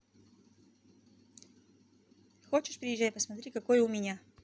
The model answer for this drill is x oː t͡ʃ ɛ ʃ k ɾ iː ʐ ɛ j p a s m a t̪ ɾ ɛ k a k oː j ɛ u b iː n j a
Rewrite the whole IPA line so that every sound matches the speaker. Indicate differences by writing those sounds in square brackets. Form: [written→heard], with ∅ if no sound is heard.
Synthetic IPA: x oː t͡ʃ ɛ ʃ [k→p] ɾ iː [ʐ→ʒ] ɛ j p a s m a t̪ ɾ [ɛ→i] k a k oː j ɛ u [b→m] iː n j a